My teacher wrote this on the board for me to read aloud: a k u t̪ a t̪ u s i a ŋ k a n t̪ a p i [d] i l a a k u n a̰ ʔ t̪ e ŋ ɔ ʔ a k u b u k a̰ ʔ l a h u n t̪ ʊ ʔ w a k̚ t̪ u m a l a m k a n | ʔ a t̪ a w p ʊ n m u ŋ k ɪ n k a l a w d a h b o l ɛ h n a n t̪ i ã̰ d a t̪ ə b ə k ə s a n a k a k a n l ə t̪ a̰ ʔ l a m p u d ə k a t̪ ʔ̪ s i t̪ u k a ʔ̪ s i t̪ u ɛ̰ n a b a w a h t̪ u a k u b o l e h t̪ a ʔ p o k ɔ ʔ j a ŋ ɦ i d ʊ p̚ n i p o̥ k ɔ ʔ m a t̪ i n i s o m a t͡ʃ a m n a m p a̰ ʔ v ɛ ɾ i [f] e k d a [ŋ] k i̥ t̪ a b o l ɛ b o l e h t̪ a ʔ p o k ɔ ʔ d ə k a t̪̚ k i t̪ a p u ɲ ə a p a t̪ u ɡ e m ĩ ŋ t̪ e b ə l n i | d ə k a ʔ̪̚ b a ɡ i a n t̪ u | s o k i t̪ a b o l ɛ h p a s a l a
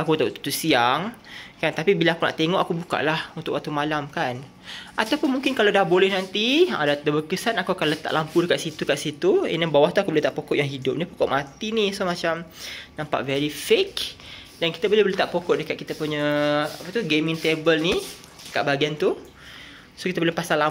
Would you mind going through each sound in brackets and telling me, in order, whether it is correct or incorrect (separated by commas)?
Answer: incorrect, correct, incorrect